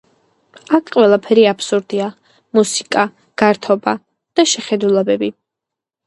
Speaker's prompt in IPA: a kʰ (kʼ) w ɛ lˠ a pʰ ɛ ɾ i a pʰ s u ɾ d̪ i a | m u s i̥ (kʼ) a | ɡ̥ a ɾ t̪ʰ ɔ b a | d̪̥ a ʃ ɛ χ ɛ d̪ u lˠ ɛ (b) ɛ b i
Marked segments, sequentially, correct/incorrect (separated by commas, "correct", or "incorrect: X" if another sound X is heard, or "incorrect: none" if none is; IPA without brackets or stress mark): incorrect: qʼ, correct, correct